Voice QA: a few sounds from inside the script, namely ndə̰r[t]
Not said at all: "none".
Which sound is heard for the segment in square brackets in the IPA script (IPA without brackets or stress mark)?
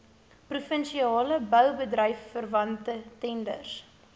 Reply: s